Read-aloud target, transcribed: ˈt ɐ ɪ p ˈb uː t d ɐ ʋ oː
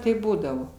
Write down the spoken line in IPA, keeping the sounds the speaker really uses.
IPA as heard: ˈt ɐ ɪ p ˈb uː d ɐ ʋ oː